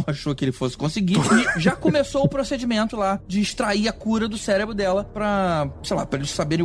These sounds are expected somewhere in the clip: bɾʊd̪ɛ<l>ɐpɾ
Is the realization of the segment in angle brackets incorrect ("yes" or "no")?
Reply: no